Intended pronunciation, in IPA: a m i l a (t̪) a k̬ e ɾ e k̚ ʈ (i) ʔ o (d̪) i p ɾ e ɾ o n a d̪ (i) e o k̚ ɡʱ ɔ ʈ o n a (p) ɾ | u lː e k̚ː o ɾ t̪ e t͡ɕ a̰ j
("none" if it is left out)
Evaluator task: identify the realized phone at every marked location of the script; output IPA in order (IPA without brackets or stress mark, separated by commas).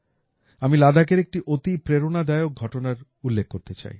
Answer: d̪, i, t̪, a, none